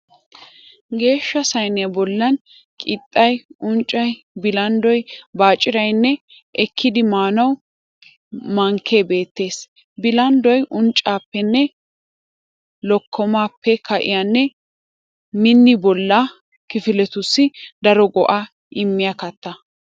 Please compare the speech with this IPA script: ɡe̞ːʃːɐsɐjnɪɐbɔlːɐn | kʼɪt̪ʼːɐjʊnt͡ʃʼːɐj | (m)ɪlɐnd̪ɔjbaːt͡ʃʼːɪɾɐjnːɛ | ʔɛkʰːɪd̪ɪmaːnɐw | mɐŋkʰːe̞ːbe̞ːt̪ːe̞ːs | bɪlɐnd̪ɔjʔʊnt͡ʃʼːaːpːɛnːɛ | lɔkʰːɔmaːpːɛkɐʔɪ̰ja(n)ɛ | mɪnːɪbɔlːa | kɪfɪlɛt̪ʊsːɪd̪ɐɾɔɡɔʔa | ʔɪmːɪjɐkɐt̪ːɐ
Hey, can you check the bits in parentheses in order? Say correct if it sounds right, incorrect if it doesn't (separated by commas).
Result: incorrect, incorrect